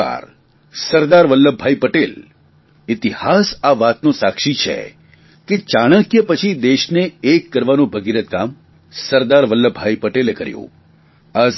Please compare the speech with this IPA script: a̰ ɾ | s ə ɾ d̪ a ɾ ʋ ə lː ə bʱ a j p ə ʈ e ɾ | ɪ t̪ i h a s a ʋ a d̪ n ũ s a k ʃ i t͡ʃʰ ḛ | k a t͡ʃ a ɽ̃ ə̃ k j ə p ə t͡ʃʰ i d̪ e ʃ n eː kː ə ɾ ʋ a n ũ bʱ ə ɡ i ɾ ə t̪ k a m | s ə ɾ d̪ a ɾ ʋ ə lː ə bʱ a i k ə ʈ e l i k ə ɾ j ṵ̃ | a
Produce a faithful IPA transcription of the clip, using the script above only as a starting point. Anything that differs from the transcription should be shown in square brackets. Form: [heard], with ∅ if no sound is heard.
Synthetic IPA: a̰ ɾ | s ə ɾ d̪ a ɾ ʋ ə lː ə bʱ a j p ə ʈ e [l] | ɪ t̪ i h a s a ʋ a [t̪] n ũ s a k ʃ i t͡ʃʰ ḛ | k [e] t͡ʃ a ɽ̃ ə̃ k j ə p ə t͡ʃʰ i d̪ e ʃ n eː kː ə ɾ ʋ a n ũ bʱ ə ɡ i ɾ ə t̪ k a m | s ə ɾ d̪ a ɾ ʋ ə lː ə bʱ a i [p] ə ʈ e l [e] k ə ɾ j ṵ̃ | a